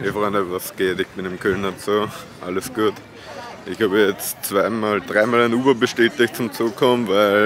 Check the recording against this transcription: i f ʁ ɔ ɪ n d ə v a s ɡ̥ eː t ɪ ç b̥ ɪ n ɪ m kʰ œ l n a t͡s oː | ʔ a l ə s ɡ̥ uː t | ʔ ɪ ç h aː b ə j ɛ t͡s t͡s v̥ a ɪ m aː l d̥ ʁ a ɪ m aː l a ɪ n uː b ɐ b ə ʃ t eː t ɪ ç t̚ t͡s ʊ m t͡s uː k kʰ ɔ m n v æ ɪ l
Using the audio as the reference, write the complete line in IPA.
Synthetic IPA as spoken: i f ʁ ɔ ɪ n d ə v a s ɡ̥ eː t ɪ ç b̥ ɪ n ɪ m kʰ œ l n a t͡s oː | ʔ a l ə s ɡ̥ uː t | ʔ ɪ ç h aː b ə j ɛ t͡s t͡s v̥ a ɪ m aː l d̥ ʁ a ɪ m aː l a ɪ n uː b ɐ b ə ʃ t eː t ɪ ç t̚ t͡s ʊ m t͡s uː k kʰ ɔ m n v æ ɪ l

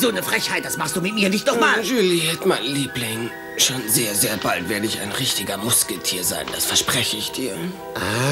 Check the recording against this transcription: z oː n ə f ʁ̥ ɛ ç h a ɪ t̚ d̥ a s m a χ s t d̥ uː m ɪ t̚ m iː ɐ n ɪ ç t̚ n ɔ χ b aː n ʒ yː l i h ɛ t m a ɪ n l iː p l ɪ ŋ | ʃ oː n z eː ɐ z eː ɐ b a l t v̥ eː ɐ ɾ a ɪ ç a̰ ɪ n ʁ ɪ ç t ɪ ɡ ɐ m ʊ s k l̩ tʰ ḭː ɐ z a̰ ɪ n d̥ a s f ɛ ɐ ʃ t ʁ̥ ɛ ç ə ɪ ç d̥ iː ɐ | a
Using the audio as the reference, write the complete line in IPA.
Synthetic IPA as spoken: z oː n ə f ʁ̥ ɛ ç h a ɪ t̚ d̥ a s m a χ s t d̥ uː m ɪ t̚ m iː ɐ n ɪ ç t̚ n ɔ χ m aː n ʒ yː l i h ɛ t m a ɪ n l iː p l ɪ ŋ | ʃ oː n z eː ɐ z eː ɐ b a l t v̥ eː ɐ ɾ ə ɪ ç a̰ ɪ n ʁ ɪ ç t ɪ ɡ ɐ m ʊ s k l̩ tʰ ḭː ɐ z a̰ ɪ n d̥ a s f ɛ ɐ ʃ p ʁ̥ ɛ ç ə ɪ ç d̥ iː ɐ | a

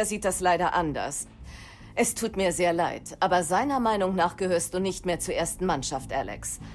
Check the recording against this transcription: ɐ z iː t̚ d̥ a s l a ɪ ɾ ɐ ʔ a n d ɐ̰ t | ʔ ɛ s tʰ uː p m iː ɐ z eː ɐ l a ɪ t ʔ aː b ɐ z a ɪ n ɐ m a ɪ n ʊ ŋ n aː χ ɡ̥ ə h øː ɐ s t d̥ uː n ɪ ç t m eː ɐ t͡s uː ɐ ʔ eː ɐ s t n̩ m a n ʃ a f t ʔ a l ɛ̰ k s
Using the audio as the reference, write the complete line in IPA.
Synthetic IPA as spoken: ɐ z iː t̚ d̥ a s l a ɪ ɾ ɐ ʔ a n d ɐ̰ s | ʔ ɛ s tʰ uː t m iː ɐ z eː ɐ l a ɪ t ʔ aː b ɐ z a ɪ n ɐ m a ɪ n ʊ ŋ n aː χ ɡ̥ ə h øː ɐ s t d̥ uː n ɪ ç t m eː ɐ t͡s uː ɐ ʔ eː ɐ s t n̩ m a n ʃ a f t ʔ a l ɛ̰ k s

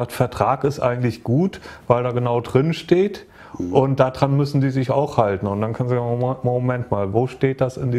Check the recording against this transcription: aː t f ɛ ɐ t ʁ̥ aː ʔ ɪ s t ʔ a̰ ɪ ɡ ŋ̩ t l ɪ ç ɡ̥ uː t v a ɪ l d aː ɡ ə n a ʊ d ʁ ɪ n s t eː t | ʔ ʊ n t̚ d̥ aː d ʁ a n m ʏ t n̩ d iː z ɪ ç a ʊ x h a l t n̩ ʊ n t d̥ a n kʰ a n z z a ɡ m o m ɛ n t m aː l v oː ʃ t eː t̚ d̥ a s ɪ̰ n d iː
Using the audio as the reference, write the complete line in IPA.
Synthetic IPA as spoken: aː t f ɛ ɐ t ʁ̥ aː k ɪ s t ʔ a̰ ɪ ɡ ŋ̩ t l ɪ ç ɡ̥ uː t v a ɪ l d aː ɡ ə n a ʊ d ʁ ɪ n ʃ t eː t | ʔ ʊ n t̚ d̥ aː d ʁ a n m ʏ s n̩ d iː z ɪ ç a ʊ x h a l t n̩ ʊ n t d̥ a n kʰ a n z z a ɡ m o m ɛ n t m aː l v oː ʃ t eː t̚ d̥ a s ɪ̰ n d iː

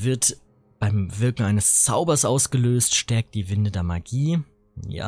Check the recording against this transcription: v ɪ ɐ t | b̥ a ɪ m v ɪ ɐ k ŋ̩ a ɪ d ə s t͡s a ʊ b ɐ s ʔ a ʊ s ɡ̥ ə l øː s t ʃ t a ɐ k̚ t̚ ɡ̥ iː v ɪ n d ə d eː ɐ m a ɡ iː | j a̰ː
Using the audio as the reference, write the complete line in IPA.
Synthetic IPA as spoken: v ɪ ɐ t | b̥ a ɪ m v ɪ ɐ k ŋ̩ a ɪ n ə s t͡s a ʊ b ɐ s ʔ a ʊ s ɡ̥ ə l øː s t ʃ t ɛ ɐ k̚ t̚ d̥ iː v ɪ n d ə d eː ɐ m a ɡ iː | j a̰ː

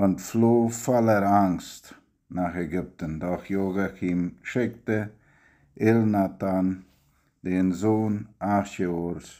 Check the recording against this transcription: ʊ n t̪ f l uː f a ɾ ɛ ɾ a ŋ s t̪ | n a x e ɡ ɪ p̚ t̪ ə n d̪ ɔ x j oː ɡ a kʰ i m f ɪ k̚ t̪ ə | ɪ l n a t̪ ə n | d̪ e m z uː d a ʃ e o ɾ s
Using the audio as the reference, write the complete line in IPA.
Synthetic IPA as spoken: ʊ n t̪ f l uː f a l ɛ ɾ a ŋ s t̪ | n a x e ɡ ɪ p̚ t̪ ə n d̪ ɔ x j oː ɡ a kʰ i m ʃ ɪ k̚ t̪ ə | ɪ l n a t̪ a n | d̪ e n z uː n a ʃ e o ɾ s

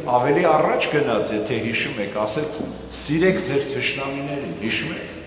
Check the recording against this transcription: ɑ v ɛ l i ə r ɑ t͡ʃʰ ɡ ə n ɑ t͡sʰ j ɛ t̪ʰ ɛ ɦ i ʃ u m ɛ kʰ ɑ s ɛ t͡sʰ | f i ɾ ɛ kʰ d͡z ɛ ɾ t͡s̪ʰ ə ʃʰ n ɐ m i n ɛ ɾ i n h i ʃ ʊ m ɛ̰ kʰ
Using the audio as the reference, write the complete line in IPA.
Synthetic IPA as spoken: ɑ v ɛ l i ɑ r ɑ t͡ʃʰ ɡ ə n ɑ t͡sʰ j ɛ t̪ʰ ɛ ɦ i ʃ u m ɛ kʰ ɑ s ɛ t͡sʰ | s i ɾ ɛ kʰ d͡z ɛ ɾ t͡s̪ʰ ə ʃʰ n ɑ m i n ɛ ɾ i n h i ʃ u m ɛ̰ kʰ

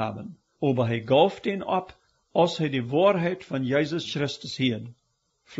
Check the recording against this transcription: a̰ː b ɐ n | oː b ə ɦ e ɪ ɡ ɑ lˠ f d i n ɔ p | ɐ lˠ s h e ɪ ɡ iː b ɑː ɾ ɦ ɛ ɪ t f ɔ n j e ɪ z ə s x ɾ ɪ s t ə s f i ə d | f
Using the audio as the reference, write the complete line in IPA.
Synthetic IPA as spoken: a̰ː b ə n | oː b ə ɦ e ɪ ɡ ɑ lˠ f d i n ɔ p | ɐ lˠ s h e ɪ d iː v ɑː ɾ ɦ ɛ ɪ t f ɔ n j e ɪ z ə s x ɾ ɪ s t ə s h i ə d | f

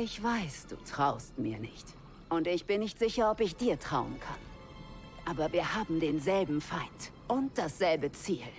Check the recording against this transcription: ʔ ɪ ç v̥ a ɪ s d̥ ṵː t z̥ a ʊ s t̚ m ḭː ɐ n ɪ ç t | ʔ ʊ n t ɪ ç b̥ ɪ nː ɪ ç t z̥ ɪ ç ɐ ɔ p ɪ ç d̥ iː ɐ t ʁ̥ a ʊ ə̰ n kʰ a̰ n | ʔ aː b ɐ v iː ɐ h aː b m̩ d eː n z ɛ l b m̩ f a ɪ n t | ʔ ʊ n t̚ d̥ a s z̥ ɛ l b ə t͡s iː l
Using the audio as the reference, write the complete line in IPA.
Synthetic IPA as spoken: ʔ ɪ ç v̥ a ɪ s d̥ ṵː t ʁ̥ a ʊ s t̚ m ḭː ɐ n ɪ ç t | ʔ ʊ n t ɪ ç b̥ ɪ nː ɪ ç t z̥ ɪ ç ɐ ɔ p ɪ ç d̥ iː ɐ t ʁ̥ a ʊ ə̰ n kʰ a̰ n | ʔ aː b ɐ v iː ɐ h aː b m̩ d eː n z ɛ l b m̩ f a ɪ n t | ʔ ʊ n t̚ d̥ a s z̥ ɛ l b ə t͡s iː l

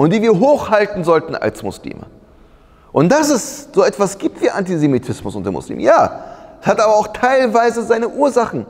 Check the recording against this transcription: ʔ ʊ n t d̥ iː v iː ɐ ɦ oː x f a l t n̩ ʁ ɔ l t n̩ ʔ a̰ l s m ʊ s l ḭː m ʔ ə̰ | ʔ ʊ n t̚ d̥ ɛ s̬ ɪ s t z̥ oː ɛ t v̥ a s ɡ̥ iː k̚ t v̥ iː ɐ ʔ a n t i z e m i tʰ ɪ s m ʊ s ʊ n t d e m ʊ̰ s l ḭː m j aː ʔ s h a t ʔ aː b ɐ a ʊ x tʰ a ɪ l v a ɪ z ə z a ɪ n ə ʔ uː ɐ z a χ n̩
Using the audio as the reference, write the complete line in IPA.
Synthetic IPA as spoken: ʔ ʊ n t d̥ iː v iː ɐ ɦ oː x h a l t n̩ z ɔ l t n̩ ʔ a̰ l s m ʊ s l ḭː m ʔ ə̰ | ʔ ʊ n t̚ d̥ a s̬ ɪ s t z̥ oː ɛ t v̥ a s ɡ̥ iː p̚ t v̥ iː ɐ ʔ a n t i z e m i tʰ ɪ s m ʊ s ʊ n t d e m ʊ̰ s l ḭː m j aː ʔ s h a t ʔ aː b ɐ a ʊ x tʰ a ɪ l v a ɪ z ə z a ɪ n ə ʔ uː ɐ z a χ n̩

